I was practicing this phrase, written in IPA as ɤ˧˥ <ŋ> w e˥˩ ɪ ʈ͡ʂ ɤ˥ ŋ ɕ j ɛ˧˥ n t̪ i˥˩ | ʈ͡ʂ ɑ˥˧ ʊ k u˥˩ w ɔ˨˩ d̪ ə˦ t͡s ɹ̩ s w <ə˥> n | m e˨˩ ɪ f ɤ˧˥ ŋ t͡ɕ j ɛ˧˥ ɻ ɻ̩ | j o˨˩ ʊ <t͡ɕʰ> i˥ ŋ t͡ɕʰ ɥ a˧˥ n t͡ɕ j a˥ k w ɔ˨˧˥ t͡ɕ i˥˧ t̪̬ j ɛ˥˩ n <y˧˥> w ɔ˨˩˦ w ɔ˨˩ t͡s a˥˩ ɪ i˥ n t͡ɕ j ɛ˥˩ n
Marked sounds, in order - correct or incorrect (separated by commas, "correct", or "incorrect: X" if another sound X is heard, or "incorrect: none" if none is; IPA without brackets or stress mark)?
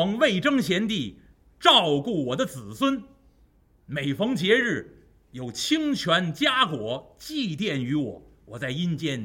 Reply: correct, correct, correct, correct